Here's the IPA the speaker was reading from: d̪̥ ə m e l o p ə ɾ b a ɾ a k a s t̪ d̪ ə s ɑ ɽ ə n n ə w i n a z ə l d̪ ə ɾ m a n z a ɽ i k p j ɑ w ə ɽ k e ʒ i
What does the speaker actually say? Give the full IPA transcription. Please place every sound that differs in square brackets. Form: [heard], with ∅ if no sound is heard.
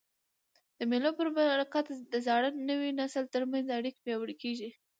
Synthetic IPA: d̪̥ ə m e l o p ə ɾ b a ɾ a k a [∅] t̪ d̪ ə [z] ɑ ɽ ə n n ə w i n a [s] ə l [t̪] ə ɾ m a n z a ɽ i k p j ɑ w ə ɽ k e ʒ i